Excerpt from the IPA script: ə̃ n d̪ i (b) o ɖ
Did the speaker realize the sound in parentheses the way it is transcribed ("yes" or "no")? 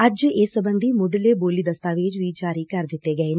no